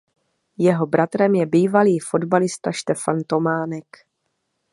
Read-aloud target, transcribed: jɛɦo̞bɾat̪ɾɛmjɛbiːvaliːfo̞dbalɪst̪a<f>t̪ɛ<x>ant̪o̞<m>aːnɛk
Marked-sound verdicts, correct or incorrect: incorrect: ʃ, incorrect: f, correct

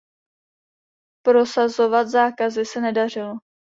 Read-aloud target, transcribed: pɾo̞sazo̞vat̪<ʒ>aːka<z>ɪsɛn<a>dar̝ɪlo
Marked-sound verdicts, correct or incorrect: incorrect: z, correct, incorrect: ɛ

